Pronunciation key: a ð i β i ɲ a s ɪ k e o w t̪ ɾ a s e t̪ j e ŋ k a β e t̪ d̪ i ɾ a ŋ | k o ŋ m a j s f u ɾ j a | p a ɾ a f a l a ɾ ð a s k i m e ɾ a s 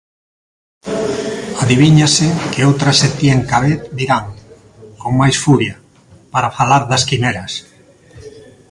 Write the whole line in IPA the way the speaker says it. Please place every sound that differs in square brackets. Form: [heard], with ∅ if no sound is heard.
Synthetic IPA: a ð i β i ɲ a s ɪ k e o w t̪ ɾ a s e t̪ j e ŋ k a β e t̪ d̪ i ɾ a ŋ | k o ŋ m a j s f u ɾ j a | p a ɾ a f a l a ɾ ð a s k i m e ɾ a s

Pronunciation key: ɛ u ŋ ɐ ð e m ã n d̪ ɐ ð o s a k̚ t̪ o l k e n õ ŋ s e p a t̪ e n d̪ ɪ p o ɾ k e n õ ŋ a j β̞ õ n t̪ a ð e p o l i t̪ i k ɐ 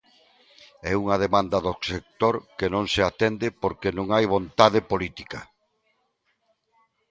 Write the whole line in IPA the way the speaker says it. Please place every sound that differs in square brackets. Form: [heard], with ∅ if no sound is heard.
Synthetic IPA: ɛ u ŋ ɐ ð e m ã n d̪ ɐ ð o s [e] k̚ t̪ o [ɾ] k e n õ ŋ s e [∅] a t̪ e n d̪ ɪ p o ɾ k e n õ ŋ a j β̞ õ n t̪ a ð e p o l i t̪ i k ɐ

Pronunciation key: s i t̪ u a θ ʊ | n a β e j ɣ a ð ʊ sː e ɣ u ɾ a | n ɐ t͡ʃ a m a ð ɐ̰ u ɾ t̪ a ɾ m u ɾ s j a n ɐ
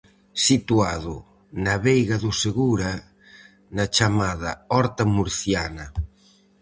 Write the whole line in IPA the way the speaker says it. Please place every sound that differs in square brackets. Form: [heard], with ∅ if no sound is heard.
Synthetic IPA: s i t̪ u a [ð] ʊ | n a β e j ɣ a ð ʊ [s] e ɣ u ɾ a | n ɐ t͡ʃ a m a ð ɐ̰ [ɔ] ɾ t̪ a [∅] m u ɾ [θ] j a n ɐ

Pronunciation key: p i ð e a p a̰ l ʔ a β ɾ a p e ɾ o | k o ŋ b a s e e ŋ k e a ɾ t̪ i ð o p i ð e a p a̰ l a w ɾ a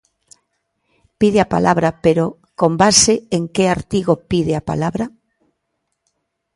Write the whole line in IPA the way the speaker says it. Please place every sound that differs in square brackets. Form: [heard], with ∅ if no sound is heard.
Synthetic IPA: p i ð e a p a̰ l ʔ a β ɾ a p e ɾ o | k o [m] b a s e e ŋ k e a ɾ t̪ i [ɣ] o p i ð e a p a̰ l a [β] ɾ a

